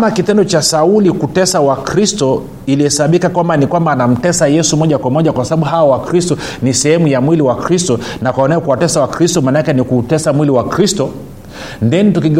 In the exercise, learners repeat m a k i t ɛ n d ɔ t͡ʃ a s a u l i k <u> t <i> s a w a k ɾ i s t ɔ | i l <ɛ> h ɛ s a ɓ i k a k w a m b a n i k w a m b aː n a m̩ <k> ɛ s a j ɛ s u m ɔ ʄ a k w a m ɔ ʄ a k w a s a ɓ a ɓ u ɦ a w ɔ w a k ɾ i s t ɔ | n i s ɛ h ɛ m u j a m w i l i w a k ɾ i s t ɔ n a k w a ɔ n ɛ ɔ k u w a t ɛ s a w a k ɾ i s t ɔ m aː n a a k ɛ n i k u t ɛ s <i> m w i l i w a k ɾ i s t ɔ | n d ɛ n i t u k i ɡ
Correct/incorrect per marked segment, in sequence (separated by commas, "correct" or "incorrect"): correct, incorrect, incorrect, incorrect, incorrect